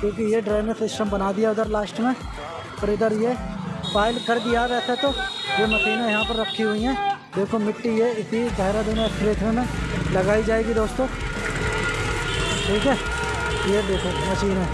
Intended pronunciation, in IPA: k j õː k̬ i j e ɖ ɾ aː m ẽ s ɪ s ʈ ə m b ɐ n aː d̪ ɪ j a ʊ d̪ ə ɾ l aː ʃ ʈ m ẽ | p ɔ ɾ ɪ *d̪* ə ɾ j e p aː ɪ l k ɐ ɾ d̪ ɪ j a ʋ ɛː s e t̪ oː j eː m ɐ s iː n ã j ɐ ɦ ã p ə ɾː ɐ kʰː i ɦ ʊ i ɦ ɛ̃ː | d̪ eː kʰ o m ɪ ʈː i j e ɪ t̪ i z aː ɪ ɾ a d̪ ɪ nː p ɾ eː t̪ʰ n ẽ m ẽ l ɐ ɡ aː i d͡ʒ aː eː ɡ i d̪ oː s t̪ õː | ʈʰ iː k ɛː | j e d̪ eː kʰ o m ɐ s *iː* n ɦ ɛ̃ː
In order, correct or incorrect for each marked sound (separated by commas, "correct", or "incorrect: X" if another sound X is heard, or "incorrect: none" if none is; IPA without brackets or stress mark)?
correct, correct